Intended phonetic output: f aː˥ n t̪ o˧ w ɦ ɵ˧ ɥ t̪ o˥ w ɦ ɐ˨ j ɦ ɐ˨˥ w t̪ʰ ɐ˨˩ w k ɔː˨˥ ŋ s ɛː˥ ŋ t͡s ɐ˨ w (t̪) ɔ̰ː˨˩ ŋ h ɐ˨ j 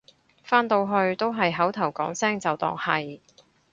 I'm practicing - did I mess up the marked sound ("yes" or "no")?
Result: no